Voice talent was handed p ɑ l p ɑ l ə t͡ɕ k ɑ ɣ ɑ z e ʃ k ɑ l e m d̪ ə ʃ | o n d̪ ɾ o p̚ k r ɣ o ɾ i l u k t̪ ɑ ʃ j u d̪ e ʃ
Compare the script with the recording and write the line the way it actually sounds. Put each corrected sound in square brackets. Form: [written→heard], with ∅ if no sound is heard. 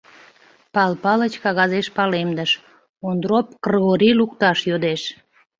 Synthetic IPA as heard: p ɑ l p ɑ l ə t͡ɕ k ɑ ɣ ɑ z e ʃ [k→p] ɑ l e m d̪ ə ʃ | o n d̪ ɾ o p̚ k r ɣ o ɾ i l u k t̪ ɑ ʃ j [u→o] d̪ e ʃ